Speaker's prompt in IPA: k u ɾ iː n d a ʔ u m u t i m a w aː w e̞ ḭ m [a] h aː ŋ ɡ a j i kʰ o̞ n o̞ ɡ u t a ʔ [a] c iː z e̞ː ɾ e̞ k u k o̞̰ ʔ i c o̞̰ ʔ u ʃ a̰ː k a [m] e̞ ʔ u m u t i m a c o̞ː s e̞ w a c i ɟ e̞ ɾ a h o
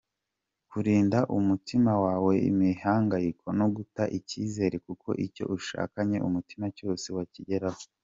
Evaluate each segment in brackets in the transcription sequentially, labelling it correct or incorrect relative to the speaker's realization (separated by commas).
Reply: incorrect, incorrect, incorrect